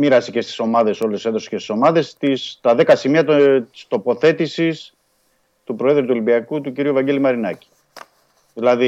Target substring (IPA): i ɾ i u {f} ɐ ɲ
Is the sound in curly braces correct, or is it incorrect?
incorrect